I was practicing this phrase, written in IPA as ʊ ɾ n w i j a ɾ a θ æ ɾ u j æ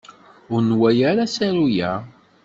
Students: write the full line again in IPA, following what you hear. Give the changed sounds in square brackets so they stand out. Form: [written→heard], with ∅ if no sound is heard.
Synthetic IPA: ʊ ɾ n w [i→æ] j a ɾ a [θ→s] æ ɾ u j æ